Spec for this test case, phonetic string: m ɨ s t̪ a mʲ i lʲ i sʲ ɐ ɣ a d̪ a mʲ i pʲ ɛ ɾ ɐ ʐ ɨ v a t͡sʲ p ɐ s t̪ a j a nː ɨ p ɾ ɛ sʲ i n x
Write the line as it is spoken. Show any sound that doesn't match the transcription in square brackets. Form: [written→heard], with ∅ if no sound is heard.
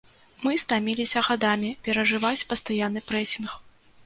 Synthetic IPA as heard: m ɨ s t̪ a mʲ i lʲ i sʲ ɐ ɣ a d̪ a mʲ i pʲ ɛ ɾ ɐ ʐ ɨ v a t͡sʲ p ɐ s t̪ a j a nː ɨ p ɾ ɛ sʲ i n x

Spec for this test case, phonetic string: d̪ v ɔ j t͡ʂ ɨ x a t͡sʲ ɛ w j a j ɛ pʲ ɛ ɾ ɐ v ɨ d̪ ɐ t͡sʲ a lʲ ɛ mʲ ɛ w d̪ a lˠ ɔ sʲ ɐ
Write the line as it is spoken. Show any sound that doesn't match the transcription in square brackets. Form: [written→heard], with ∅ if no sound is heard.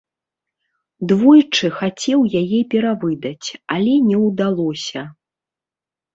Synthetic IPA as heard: d̪ v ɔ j t͡ʂ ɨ x a t͡sʲ ɛ w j a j ɛ pʲ ɛ ɾ [ɐ→a] v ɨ d̪ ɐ t͡sʲ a lʲ ɛ [mʲ→nʲ] ɛ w d̪ a lˠ ɔ sʲ ɐ

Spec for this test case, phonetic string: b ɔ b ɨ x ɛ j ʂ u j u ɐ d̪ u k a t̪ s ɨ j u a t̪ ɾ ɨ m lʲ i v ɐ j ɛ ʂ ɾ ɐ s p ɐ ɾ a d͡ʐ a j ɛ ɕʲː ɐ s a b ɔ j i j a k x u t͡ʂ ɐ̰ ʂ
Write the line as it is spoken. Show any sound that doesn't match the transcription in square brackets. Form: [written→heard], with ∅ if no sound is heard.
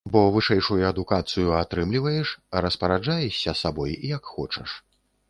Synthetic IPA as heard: b ɔ [b→v] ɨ [x→ʂ] ɛ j ʂ u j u ɐ d̪ u k a t̪ s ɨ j u a t̪ ɾ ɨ m lʲ i v ɐ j ɛ ʂ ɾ ɐ s p ɐ ɾ a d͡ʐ a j ɛ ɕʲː ɐ s a b ɔ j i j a k x [u→ɔ] t͡ʂ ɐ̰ ʂ

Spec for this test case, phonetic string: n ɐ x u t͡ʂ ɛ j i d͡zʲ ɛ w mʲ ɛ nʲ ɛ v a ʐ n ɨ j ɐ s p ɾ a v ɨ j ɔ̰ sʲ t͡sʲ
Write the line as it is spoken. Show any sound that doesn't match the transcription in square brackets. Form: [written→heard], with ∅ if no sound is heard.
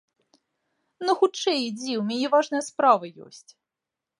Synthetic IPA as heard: n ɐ x u t͡ʂ ɛ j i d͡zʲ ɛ w mʲ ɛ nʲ ɛ v a ʐ n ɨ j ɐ s p ɾ a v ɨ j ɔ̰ sʲ t͡sʲ

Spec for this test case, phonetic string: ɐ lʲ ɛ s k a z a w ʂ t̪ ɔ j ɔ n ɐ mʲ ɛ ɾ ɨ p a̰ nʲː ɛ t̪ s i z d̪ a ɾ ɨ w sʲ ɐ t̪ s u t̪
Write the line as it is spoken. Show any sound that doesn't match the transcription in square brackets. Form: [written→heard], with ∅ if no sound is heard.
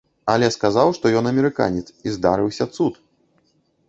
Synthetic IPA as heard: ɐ lʲ ɛ s k a z a w ʂ t̪ ɔ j ɔ n ɐ mʲ ɛ ɾ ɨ [p→k] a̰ [nʲː→nʲ] ɛ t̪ s i z d̪ a ɾ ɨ w sʲ ɐ t̪ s u t̪

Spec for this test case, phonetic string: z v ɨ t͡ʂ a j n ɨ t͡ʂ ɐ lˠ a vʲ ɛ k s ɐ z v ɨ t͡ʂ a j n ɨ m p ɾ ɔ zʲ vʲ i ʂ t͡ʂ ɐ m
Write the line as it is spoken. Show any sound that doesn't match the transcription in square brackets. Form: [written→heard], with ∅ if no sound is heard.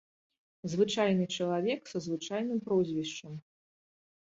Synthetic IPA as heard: z v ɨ t͡ʂ a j n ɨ t͡ʂ ɐ lˠ a vʲ ɛ k s ɐ z v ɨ t͡ʂ a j n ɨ m p ɾ ɔ zʲ vʲ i ʂ t͡ʂ ɐ m

